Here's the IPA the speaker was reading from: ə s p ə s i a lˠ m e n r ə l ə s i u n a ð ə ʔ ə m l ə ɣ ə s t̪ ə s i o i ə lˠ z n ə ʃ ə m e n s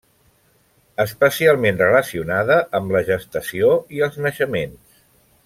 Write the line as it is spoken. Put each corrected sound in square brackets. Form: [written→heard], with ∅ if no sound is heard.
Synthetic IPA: ə s p ə s i a lˠ m e n r ə l ə s i u n a ð ə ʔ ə m l ə [ɣ→ʒ] ə s t̪ ə s i o i ə lˠ z n ə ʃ ə m e n s